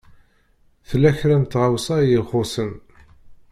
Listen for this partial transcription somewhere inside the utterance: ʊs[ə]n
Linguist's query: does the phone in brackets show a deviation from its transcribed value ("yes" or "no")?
no